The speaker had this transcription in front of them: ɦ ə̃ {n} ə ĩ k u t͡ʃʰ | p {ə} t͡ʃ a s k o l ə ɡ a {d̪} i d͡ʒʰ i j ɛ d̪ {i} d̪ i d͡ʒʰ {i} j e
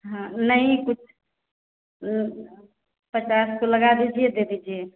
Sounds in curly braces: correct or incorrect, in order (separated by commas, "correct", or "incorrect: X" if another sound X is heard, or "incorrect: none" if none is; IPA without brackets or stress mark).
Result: correct, correct, correct, incorrect: e, correct